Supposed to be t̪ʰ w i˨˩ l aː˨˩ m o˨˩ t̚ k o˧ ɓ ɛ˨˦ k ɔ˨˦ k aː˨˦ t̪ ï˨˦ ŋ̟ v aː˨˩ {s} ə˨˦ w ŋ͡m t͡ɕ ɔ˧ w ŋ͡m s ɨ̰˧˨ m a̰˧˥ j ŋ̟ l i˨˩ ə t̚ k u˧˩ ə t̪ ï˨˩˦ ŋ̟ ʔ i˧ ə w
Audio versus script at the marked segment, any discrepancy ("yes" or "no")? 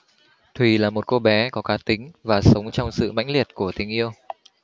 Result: no